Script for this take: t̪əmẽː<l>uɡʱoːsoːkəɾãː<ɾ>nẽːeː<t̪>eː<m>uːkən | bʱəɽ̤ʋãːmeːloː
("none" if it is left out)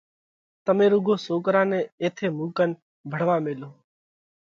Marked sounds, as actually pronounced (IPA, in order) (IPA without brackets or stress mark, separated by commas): ɾ, none, t̪ʰ, m